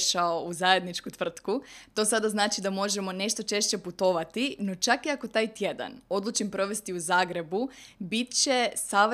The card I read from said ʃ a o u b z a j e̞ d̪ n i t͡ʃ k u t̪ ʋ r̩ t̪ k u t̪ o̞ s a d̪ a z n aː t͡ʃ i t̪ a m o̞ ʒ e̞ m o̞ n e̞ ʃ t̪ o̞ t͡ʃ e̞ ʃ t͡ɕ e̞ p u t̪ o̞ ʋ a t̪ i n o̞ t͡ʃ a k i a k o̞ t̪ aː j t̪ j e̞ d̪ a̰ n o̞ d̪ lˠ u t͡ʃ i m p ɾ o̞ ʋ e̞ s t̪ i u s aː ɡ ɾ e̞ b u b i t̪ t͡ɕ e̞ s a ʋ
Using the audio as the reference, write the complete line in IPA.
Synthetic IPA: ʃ a o u z a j e̞ d̪ n i t͡ʃ k u t̪ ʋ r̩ t̪ k u t̪ o̞ s a d̪ a z n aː t͡ʃ i d̪ a m o̞ ʒ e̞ m o̞ n e̞ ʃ t̪ o̞ t͡ʃ e̞ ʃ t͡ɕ e̞ p u t̪ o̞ ʋ a t̪ i n o̞ t͡ʃ a k i a k o̞ t̪ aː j t̪ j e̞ d̪ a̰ n o̞ d̪ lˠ u t͡ʃ i m p ɾ o̞ ʋ e̞ s t̪ i u z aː ɡ ɾ e̞ b u b i t̪ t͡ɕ e̞ s a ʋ